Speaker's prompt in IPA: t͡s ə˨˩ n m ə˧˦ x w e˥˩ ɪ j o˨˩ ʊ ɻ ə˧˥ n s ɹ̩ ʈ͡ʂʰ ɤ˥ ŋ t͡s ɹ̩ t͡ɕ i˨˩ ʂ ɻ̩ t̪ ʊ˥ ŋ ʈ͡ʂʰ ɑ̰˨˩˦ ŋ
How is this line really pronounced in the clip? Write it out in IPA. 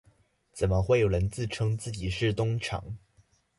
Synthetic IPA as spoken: t͡s ə˨˩ n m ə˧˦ x w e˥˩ ɪ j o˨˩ ʊ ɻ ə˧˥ n t͡s ɹ̩ ʈ͡ʂʰ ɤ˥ ŋ t͡s ɹ̩ t͡ɕ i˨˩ ʂ ɻ̩ t̪ ʊ˥ ŋ ʈ͡ʂʰ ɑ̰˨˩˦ ŋ